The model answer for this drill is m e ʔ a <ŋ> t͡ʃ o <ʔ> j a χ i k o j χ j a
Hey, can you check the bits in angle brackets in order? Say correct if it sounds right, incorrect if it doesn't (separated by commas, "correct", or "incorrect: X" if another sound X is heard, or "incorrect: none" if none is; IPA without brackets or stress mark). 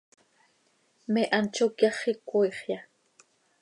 incorrect: n, incorrect: k